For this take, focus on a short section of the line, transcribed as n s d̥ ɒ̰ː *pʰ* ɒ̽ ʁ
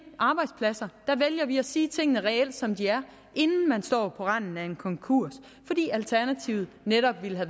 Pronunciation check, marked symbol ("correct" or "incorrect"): correct